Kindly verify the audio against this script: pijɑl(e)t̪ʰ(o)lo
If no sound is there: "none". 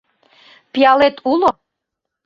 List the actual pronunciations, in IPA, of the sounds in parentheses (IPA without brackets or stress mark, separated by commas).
e, u